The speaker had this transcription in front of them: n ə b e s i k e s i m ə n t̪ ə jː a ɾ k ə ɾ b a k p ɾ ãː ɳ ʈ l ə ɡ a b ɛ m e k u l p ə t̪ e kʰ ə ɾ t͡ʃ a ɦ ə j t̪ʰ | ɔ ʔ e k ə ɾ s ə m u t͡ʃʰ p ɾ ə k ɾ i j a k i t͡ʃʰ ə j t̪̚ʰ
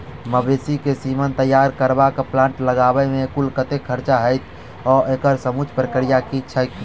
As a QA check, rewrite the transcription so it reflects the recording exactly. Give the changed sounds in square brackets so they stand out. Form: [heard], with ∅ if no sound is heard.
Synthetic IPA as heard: [m] ə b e s i k e s i m ə n t̪ ə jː a ɾ k ə ɾ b a k p [l] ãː ɳ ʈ l ə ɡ a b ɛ m e k u l [k] ə t̪ e kʰ ə ɾ t͡ʃ a ɦ ə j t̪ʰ | ɔ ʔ e k ə ɾ s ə m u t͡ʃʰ p ɾ ə k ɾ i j a k i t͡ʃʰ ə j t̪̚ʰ